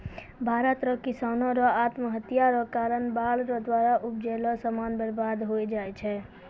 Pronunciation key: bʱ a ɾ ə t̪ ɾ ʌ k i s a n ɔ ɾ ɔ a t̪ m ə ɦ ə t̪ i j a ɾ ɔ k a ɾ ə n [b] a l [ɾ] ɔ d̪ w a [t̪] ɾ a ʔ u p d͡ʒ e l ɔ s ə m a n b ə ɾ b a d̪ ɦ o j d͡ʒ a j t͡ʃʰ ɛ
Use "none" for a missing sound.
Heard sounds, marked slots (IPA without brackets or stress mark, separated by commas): b, ɾ, none